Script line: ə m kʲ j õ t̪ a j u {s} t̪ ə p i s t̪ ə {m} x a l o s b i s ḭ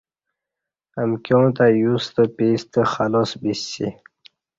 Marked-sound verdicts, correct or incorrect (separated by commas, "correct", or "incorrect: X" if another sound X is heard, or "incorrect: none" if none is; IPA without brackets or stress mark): correct, incorrect: none